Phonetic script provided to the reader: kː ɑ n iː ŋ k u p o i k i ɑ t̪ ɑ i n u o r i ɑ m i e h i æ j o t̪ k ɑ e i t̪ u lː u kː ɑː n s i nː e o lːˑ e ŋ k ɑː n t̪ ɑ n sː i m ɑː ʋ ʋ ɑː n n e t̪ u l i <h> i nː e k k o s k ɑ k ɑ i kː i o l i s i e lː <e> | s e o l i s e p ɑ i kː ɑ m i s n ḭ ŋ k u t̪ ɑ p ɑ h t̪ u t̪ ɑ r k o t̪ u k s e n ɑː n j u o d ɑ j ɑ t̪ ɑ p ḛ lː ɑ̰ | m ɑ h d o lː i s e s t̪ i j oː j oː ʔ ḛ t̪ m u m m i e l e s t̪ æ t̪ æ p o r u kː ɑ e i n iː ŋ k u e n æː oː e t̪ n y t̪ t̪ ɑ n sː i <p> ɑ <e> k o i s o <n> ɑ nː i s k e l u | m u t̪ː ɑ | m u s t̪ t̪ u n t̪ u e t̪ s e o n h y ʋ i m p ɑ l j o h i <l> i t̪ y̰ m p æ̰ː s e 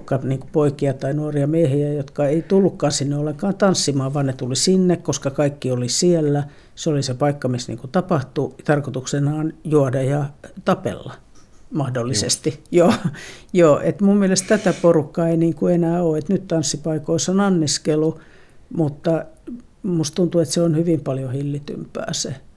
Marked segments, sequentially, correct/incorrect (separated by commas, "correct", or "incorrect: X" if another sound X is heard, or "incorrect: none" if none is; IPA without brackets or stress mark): incorrect: s, incorrect: æ, correct, incorrect: i, correct, incorrect: lː